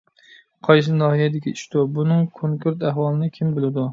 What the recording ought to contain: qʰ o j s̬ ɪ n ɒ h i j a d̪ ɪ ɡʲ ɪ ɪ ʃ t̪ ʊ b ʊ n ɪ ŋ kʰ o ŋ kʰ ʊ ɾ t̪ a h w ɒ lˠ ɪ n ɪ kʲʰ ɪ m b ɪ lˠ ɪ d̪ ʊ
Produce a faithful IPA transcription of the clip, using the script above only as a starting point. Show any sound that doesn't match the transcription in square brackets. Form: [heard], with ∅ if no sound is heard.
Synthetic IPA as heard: qʰ [ɒ] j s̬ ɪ n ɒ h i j a d̪ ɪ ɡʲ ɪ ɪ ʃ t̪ ʊ b ʊ n ɪ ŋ kʰ o ŋ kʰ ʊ ɾ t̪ a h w ɒ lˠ ɪ n ɪ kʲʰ ɪ m b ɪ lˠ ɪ d̪ ʊ